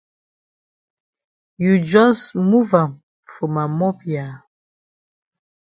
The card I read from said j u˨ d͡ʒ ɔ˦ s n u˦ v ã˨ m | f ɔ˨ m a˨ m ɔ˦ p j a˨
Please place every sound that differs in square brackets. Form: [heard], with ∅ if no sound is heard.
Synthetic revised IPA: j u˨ d͡ʒ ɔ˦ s [m] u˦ v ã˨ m | f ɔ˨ m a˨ m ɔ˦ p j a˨